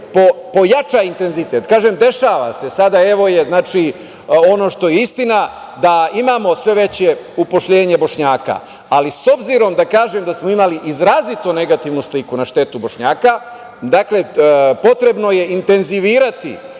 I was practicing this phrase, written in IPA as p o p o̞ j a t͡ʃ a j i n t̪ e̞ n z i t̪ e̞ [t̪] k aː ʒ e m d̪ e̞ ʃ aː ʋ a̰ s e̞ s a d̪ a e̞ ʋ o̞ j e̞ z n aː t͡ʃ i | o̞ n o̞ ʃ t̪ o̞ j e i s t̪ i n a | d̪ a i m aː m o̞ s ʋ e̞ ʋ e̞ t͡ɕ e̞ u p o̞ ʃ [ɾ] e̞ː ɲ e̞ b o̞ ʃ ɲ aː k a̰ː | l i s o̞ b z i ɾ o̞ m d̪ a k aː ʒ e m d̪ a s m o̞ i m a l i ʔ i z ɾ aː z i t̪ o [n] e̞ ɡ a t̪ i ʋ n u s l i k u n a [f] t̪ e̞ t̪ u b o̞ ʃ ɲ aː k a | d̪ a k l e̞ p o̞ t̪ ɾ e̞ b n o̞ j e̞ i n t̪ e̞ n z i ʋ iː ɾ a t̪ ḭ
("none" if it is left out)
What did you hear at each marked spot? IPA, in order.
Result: t̪, ʎ, n, ʃ

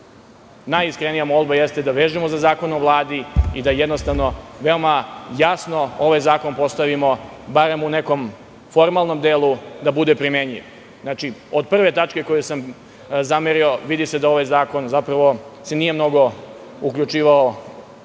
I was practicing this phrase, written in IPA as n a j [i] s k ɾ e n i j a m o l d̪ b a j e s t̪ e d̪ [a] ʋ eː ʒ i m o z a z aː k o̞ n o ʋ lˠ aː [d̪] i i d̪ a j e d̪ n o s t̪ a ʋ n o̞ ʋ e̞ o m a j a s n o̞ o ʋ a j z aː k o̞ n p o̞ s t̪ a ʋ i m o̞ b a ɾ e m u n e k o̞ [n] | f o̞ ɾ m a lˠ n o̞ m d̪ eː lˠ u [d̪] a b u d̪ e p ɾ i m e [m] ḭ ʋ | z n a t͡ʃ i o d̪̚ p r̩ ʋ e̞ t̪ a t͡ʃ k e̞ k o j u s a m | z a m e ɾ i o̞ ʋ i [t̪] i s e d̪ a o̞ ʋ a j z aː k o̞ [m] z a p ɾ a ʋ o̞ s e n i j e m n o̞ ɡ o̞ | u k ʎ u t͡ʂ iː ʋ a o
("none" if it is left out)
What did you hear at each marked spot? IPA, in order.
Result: i, a, d̪, m, d̪, ɲ, d̪, n

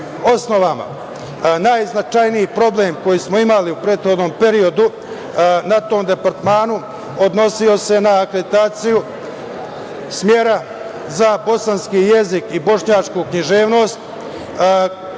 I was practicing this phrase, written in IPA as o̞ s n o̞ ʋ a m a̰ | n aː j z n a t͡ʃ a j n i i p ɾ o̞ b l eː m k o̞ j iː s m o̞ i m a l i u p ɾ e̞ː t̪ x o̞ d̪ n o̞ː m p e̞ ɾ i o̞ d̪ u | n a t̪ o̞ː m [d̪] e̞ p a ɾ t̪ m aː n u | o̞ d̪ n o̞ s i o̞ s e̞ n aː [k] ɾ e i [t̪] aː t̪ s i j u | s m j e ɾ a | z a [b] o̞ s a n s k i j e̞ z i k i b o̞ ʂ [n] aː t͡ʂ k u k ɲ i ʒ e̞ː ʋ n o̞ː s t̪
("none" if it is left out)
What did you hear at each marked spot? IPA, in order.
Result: d̪, k, t̪, b, ɲ

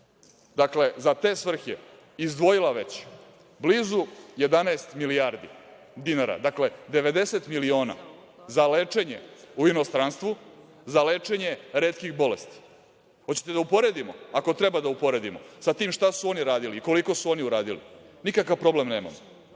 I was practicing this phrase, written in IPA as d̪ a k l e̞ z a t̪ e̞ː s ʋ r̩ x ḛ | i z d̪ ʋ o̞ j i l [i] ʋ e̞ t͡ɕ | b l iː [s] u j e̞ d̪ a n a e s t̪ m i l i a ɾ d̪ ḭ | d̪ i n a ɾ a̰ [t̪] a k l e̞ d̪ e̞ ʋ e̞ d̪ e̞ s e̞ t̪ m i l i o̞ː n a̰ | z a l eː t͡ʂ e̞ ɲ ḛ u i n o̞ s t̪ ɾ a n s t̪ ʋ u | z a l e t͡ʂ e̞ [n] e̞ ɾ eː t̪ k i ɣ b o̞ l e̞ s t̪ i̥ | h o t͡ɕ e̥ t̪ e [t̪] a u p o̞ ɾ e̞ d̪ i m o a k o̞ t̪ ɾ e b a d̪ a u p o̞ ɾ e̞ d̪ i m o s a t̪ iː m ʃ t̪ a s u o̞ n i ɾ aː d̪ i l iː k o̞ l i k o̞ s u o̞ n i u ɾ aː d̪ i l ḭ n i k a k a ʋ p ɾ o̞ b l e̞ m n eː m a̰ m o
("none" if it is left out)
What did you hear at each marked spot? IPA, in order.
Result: a, z, d̪, ɲ, d̪

